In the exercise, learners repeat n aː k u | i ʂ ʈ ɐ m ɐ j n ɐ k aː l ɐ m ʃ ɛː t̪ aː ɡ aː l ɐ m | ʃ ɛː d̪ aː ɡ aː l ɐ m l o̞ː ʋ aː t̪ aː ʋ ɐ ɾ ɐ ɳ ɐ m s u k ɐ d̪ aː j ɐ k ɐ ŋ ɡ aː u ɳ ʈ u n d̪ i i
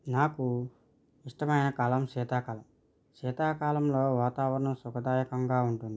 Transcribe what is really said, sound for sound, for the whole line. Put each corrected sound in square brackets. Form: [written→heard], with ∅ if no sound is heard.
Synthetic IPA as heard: n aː k u | i ʂ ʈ ɐ m ɐ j n ɐ k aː l ɐ m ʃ ɛː t̪ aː [ɡ→k] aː l ɐ m | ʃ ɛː [d̪→t̪] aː [ɡ→k] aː l ɐ m l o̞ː ʋ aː t̪ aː ʋ ɐ ɾ ɐ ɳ ɐ m s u k ɐ d̪ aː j ɐ k ɐ ŋ ɡ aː u ɳ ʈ u n d̪ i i

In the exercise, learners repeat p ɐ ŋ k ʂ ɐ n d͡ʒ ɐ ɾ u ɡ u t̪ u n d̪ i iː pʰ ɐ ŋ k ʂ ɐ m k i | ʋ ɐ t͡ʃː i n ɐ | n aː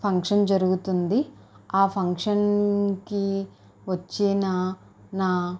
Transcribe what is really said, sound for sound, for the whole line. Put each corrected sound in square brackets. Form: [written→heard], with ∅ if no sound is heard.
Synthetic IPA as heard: [p→pʰ] ɐ ŋ k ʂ ɐ n d͡ʒ ɐ ɾ u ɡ u t̪ u n d̪ i [iː→aː] pʰ ɐ ŋ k ʂ ɐ [m→n] k i | ʋ ɐ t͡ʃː i n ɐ | n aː

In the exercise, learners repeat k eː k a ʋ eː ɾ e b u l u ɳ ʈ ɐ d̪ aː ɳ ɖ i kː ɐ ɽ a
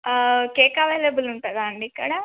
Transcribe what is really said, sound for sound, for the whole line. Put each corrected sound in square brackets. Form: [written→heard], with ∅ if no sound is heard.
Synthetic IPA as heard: k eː k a ʋ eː [ɾ→l] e b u l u ɳ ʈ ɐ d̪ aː ɳ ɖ i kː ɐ ɽ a

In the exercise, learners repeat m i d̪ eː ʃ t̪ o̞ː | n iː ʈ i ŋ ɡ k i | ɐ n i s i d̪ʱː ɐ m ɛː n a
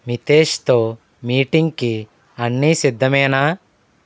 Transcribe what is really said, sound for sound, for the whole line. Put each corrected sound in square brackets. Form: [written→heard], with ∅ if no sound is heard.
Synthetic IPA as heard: m i [d̪→t̪] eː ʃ t̪ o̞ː | [n→m] iː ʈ i ŋ ɡ k i | ɐ [n→nː] i s i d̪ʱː ɐ m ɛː n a

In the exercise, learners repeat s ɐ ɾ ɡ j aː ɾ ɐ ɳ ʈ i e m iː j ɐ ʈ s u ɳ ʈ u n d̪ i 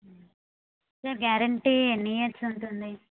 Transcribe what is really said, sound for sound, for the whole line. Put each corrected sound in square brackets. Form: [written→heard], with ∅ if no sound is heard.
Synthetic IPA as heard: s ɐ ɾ ɡ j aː ɾ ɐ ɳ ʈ i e [m→n] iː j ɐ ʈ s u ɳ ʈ u n d̪ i

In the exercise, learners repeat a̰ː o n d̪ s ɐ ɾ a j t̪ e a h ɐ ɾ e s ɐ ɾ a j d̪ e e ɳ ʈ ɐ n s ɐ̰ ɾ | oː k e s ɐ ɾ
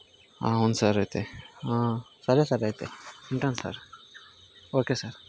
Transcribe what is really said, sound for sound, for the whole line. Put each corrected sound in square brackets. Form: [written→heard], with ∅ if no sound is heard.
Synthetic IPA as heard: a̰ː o n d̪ s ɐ ɾ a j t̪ e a [h→s] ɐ ɾ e s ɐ ɾ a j [d̪→t̪] e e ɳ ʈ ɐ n s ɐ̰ ɾ | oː k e s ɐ ɾ

